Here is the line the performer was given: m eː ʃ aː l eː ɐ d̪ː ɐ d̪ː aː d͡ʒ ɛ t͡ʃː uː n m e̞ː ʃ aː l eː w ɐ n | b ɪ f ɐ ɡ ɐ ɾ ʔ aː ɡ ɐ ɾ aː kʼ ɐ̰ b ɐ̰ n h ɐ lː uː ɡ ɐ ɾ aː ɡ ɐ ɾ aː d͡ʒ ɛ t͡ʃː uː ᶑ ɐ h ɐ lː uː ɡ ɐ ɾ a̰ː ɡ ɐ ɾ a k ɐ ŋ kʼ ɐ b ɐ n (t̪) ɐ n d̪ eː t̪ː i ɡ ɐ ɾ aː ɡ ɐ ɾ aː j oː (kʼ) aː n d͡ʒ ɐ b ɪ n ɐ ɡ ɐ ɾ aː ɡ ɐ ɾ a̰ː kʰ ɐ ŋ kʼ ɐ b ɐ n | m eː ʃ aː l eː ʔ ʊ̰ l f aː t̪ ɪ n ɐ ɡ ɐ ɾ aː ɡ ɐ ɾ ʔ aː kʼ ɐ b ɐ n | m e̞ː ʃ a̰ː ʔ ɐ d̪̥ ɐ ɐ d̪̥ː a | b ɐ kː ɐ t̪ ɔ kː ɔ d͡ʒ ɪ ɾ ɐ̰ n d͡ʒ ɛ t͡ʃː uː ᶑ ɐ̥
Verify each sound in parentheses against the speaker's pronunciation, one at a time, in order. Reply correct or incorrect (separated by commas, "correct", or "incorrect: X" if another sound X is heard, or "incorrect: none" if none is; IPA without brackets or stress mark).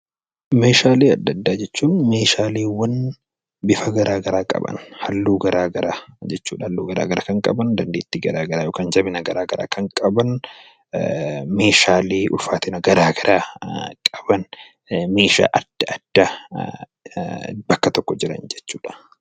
incorrect: d̪, incorrect: k